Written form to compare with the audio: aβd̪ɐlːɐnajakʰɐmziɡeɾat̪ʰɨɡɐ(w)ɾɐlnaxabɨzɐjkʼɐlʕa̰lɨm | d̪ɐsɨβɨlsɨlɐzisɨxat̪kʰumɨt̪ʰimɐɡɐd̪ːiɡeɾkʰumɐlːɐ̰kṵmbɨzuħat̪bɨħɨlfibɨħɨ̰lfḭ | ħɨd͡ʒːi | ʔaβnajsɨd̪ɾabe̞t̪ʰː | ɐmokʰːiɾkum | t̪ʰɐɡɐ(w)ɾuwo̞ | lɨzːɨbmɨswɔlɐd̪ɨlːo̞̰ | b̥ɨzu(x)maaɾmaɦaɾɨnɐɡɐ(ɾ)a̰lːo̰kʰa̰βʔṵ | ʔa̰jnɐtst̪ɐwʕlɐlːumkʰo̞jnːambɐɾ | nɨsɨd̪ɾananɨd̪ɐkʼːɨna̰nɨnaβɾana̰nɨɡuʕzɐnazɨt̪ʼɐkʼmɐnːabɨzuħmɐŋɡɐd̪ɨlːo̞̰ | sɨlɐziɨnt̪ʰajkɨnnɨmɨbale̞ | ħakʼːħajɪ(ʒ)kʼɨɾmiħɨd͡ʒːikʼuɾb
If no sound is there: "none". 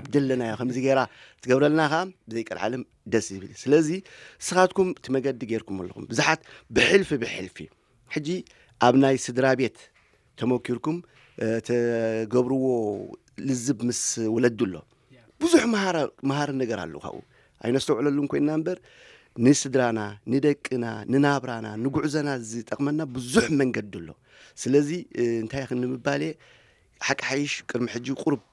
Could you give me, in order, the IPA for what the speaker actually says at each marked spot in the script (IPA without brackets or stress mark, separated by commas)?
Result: β, β, ħ, ɾ, ʃ